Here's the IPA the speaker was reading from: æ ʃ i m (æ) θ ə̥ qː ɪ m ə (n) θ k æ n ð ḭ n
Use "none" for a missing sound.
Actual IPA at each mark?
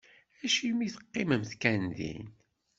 i, m

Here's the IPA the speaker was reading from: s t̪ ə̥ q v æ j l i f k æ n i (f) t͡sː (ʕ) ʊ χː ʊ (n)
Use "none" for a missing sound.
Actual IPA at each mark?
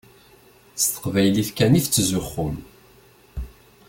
f, z, m

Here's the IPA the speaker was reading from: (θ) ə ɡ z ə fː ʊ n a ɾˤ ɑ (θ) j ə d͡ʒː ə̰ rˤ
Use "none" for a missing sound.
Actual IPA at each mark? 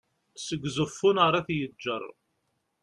s, θ

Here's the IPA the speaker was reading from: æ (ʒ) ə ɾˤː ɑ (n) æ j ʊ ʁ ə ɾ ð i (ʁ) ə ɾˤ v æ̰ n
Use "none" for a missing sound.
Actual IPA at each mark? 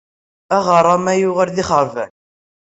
ʁ, m, χ

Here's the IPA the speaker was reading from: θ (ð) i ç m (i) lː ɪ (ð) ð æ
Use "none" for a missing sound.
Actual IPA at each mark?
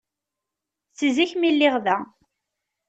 z, i, ʁ

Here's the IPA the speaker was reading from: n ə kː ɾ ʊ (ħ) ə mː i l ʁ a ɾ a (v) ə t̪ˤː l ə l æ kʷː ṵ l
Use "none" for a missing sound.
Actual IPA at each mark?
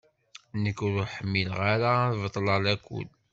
ħ, v

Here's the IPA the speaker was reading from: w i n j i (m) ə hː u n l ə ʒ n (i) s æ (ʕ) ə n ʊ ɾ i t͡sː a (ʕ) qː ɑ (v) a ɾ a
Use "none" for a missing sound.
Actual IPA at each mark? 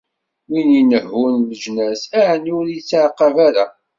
n, æ, ʕ, ʕ, v

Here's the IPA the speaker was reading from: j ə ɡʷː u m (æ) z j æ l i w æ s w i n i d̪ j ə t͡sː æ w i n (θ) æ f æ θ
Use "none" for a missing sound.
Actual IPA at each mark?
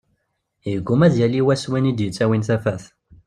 æ, θ

